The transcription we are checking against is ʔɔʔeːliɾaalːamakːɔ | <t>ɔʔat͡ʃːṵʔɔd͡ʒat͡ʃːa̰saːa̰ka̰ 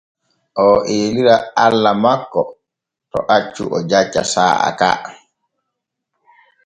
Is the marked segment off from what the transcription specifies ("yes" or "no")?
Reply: no